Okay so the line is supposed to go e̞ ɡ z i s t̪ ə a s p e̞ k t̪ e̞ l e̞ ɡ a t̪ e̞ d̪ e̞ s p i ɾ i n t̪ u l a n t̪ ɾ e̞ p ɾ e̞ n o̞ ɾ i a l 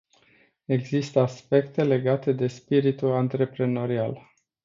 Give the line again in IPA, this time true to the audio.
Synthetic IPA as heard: e̞ ɡ z i s t̪ ə a s p e̞ k t̪ e̞ l e̞ ɡ a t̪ e̞ d̪ e̞ s p i ɾ i t̪ u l a n t̪ ɾ e̞ p ɾ e̞ n o̞ ɾ i a l